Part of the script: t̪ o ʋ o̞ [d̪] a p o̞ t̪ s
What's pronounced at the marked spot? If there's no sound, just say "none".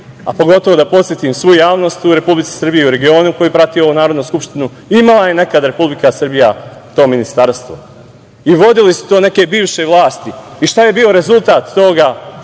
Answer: d̪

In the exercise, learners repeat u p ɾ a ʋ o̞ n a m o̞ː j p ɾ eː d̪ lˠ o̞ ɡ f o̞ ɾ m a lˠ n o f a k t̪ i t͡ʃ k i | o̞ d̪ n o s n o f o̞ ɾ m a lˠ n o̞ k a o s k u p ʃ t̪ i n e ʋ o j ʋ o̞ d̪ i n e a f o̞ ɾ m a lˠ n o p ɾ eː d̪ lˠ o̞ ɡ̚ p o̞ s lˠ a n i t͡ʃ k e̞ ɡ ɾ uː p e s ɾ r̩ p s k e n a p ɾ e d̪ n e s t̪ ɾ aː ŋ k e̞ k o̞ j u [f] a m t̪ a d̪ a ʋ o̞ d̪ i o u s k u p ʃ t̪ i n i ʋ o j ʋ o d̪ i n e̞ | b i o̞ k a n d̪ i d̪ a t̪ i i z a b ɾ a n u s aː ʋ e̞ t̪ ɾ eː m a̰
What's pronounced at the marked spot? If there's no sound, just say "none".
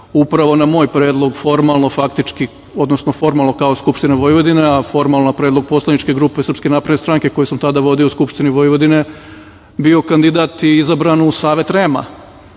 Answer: s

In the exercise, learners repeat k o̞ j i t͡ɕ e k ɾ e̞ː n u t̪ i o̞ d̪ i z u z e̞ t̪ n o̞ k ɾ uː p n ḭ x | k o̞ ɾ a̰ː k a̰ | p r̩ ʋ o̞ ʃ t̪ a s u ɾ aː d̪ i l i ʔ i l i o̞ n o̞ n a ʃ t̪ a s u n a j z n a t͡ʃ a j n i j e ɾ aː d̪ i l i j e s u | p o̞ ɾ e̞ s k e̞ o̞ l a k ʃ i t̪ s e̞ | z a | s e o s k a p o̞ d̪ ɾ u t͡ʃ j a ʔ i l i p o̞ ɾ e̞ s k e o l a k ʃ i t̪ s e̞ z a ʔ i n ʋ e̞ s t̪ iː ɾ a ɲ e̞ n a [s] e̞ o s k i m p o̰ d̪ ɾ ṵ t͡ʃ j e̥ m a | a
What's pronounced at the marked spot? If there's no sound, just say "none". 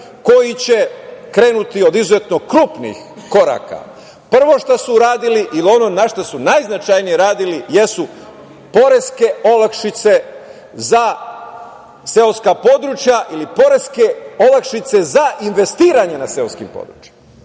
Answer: s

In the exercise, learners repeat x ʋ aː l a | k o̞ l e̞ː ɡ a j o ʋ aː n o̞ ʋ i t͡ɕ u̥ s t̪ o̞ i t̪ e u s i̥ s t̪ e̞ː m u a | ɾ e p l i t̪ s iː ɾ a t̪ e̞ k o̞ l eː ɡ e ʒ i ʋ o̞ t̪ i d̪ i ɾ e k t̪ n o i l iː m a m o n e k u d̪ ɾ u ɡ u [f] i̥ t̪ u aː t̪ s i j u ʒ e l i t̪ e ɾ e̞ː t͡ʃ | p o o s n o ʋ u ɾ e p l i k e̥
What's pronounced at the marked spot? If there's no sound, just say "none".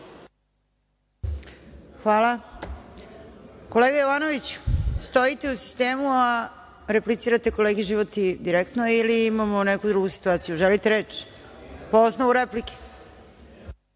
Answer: s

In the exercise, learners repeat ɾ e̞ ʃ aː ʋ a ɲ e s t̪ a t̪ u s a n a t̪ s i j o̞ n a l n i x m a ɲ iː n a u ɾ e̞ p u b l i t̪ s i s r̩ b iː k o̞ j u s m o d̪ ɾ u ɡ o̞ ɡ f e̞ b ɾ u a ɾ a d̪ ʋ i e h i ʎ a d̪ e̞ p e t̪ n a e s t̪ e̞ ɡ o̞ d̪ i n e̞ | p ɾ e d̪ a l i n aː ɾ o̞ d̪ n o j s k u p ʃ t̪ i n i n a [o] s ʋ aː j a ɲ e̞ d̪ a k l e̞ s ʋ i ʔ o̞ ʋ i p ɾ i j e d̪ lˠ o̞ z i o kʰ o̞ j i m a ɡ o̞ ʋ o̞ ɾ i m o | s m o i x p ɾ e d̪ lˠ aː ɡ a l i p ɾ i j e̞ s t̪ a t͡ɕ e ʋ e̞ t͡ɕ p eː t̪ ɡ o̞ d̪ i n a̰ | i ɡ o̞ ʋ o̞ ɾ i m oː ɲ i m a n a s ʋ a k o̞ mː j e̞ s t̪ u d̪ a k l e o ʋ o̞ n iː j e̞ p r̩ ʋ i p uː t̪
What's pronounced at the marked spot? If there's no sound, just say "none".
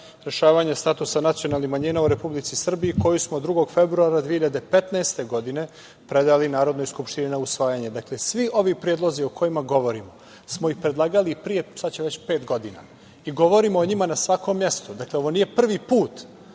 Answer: u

